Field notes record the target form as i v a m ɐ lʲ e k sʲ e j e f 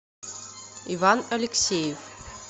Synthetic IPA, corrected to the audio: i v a n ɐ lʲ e k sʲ e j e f